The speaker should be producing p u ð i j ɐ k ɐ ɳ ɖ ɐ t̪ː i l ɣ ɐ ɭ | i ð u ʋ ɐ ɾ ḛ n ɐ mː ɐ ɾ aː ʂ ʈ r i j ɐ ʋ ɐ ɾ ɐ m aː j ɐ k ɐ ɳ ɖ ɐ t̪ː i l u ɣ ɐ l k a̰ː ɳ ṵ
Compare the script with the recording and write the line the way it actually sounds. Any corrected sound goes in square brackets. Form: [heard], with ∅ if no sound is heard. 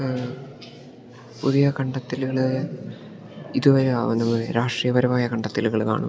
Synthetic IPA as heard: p u ð i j ɐ k ɐ ɳ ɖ ɐ t̪ː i l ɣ ɐ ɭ | i ð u ʋ ɐ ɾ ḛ n ɐ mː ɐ ɾ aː ʂ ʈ r i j ɐ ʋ ɐ ɾ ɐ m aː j ɐ k ɐ ɳ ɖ ɐ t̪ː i l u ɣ ɐ [ɭ] k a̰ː ɳ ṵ